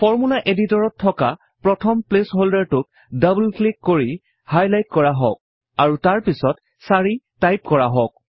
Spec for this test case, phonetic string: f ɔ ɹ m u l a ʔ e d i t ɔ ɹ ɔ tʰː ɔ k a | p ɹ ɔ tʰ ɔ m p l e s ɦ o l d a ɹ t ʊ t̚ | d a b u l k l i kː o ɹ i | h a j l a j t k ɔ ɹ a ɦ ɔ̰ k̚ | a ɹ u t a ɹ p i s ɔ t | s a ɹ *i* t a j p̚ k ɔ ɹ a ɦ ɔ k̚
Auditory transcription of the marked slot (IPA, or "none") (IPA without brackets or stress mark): i